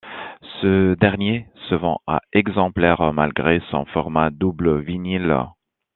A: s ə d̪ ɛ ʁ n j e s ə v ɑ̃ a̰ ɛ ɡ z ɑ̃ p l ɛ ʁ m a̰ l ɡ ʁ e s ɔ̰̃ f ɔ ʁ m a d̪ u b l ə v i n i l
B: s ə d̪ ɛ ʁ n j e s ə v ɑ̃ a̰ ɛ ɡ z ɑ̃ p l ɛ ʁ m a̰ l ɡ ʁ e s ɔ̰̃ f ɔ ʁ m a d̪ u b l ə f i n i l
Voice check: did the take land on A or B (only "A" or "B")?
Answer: A